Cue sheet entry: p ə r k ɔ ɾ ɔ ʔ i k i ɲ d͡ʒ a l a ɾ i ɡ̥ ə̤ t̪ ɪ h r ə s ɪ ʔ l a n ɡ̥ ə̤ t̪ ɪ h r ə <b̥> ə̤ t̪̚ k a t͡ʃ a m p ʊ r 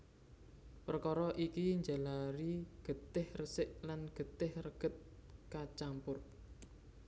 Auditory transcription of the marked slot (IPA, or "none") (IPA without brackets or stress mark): ɡ̥